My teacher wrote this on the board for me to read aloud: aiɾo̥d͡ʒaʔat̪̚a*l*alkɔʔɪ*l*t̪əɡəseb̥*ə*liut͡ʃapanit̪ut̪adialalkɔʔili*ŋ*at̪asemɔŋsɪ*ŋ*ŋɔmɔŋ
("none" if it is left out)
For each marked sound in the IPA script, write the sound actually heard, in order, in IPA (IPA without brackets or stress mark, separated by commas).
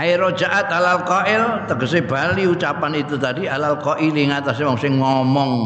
l, l, a, ŋ, ŋ